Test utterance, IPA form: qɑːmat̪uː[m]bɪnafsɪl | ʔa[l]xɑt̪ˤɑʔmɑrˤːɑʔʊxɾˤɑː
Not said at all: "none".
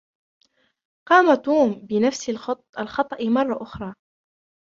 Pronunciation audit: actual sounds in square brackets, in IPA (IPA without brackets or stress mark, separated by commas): m, l